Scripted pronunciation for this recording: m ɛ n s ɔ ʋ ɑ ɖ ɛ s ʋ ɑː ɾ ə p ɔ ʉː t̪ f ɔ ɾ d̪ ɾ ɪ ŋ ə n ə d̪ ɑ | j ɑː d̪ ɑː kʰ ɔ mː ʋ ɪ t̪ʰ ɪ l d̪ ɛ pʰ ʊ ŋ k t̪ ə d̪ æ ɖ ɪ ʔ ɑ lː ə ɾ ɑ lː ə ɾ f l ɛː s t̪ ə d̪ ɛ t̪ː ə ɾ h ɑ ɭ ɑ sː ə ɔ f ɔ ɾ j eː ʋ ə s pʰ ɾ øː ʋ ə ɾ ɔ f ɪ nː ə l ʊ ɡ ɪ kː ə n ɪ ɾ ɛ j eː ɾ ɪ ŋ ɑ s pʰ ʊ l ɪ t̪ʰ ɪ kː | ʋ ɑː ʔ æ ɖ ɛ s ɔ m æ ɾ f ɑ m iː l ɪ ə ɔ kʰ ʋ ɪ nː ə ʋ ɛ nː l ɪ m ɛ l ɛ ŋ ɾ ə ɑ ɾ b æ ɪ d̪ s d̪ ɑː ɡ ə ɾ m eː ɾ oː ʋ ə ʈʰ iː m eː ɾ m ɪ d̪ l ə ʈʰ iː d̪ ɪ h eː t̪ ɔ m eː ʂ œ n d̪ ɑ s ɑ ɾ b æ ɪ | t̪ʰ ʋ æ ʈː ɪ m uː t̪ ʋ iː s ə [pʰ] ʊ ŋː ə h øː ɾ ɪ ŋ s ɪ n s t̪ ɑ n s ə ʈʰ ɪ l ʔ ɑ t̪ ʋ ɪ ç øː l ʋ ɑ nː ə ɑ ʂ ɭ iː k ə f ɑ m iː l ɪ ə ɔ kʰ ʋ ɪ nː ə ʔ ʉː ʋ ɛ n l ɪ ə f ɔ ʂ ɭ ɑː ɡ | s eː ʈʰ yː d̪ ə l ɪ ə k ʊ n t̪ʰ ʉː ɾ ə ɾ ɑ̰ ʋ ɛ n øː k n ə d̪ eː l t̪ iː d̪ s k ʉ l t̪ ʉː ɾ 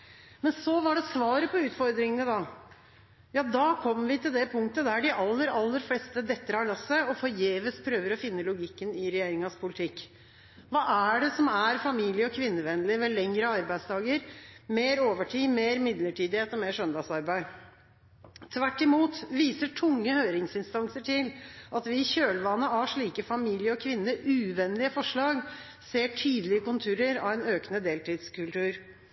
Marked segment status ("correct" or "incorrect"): incorrect